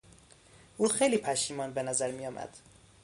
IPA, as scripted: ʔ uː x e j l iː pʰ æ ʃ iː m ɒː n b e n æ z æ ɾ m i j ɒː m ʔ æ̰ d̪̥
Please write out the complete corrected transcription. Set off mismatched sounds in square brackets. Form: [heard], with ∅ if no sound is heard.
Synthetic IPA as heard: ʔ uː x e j l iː pʰ æ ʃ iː m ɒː n b e n æ z æ ɾ m i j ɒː m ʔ æ̰ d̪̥